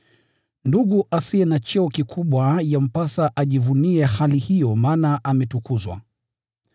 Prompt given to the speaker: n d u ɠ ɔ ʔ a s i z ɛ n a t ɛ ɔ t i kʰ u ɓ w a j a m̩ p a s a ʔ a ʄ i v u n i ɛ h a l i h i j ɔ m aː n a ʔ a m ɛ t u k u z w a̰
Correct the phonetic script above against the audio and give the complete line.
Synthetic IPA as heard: n d u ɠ u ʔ a s i ɛ n a t͡ʃ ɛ ɔ k i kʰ u ɓ w a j a m̩ p a s a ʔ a ʄ i v u n i ɛ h a l i h i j ɔ m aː n a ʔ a m ɛ t u k u z w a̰

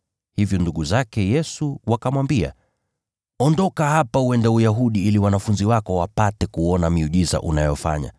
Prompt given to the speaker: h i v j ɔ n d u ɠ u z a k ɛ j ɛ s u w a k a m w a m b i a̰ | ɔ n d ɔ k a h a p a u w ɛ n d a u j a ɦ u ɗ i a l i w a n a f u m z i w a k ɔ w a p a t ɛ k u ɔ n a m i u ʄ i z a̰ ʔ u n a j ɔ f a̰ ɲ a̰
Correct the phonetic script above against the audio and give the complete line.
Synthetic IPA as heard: h i v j ɔ n d u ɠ u z a k ɛ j ɛ s u w a k a m w a m b i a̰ | ɔ n d ɔ k a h a p a u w ɛ n d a u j a ɦ u ɗ i i l i w a n a f u n z i w a k ɔ w a p a t ɛ k u ɔ n a m i u ʄ i z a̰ ʔ u n a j ɔ f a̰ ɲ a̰

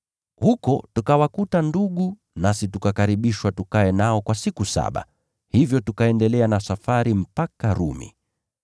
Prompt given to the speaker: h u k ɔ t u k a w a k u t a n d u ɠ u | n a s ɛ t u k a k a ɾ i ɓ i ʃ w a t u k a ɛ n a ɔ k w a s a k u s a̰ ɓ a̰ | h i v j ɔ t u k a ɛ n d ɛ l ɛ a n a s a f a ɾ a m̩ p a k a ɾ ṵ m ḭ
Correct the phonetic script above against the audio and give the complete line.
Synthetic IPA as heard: h u k ɔ t u k a w a k u t a n d u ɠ u | n a s i t u k a k a ɾ i ɓ i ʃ w a t u k a ɛ n a ɔ k w a s i k u s a̰ ɓ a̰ | h i v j ɔ t u k a ɛ n d ɛ l ɛ a n a s a f a ɾ i m̩ p a k a ɾ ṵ m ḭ

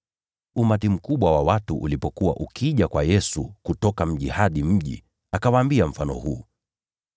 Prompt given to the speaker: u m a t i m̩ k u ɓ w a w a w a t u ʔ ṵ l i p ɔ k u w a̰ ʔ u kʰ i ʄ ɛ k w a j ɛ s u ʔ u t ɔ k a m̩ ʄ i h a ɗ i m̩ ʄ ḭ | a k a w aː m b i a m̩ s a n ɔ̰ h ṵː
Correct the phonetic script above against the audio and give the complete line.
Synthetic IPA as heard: u m a t i m̩ k u ɓ w a w a w a t u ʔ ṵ l i p ɔ k u w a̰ ʔ u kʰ i ʄ a k w a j ɛ s u k u t ɔ k a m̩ ʄ i h a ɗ i m̩ ʄ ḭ | a k a w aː m b i a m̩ f a n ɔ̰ h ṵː

